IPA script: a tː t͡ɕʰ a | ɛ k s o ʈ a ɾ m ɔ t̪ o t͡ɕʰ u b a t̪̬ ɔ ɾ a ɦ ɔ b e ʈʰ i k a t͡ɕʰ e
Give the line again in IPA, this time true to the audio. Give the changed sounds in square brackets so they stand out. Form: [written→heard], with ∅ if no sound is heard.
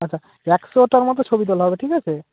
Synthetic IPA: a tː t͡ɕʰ a | ɛ k s o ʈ a ɾ m ɔ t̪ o t͡ɕʰ [u→o] b [a→i] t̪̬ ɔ [ɾ→l] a ɦ ɔ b e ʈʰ i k a t͡ɕʰ e